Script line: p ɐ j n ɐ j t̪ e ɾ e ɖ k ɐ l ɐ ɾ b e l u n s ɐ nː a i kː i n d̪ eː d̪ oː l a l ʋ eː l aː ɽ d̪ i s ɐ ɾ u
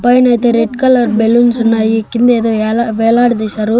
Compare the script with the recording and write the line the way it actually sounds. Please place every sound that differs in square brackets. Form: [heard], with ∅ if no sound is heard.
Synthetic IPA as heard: p ɐ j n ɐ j t̪ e ɾ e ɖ k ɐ l ɐ ɾ b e l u n s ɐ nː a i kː i n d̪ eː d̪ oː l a [∅] ʋ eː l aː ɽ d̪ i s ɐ ɾ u